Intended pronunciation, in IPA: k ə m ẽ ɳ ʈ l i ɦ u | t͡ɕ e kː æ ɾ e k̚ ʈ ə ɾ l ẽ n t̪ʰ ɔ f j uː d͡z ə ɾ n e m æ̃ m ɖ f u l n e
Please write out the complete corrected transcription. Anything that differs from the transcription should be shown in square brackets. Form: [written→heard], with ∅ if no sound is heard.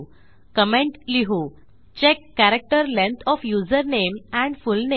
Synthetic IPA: k ə m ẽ ɳ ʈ l i ɦ u | t͡ɕ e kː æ ɾ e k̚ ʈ ə ɾ l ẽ n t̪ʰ ɔ f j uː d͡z ə ɾ n e m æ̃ [m→ɳ] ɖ f u l n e